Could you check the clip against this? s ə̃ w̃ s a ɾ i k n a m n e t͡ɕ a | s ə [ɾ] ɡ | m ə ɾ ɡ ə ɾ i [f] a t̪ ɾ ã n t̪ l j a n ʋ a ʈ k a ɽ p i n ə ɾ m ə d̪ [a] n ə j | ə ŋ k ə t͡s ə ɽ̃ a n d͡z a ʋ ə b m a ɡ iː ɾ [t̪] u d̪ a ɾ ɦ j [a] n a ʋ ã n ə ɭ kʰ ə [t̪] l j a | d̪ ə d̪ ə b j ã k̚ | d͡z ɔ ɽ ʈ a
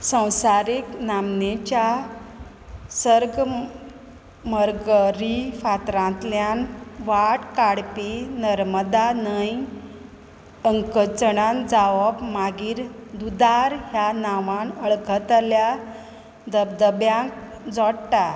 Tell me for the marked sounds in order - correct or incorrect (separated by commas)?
correct, correct, correct, incorrect, correct, correct